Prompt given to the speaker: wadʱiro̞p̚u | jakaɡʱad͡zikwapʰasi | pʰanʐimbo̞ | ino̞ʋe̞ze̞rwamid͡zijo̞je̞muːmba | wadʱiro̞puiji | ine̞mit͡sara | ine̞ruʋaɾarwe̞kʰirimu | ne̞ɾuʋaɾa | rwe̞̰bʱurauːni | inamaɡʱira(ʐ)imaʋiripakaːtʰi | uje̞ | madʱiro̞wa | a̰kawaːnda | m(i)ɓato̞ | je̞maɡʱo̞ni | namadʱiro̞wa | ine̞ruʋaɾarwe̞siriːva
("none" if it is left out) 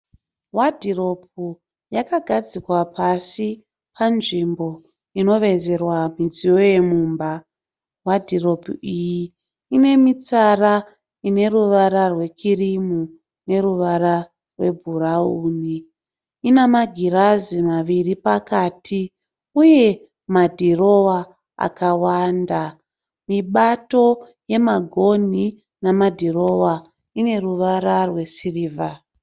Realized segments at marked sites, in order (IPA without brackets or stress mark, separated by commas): z, i